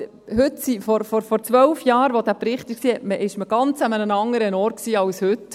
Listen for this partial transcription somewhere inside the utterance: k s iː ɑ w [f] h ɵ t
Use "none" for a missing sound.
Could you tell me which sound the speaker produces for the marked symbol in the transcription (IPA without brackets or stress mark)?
s